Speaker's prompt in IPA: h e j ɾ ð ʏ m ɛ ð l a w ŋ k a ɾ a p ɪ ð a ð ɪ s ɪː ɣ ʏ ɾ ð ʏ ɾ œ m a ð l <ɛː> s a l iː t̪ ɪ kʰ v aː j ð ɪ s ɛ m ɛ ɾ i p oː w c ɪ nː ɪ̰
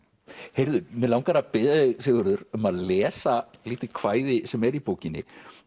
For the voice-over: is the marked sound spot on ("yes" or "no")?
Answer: yes